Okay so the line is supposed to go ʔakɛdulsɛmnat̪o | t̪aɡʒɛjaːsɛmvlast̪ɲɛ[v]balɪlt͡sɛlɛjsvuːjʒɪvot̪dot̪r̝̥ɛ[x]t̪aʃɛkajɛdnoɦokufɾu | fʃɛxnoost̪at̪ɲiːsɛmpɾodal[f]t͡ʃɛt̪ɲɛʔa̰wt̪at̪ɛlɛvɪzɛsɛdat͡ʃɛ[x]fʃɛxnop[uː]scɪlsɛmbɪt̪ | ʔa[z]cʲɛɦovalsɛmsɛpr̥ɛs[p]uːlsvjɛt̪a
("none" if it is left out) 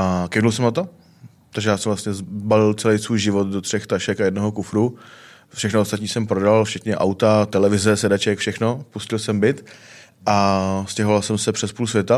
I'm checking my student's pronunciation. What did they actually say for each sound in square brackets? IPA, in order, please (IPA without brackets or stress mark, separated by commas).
z, x, f, k, u, s, p